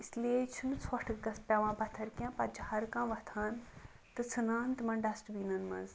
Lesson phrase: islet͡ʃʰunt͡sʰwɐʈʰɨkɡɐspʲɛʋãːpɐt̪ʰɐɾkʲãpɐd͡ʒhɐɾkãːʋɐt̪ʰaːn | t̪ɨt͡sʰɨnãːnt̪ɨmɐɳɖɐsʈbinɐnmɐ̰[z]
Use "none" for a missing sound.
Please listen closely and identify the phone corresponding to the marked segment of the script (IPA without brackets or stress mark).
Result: z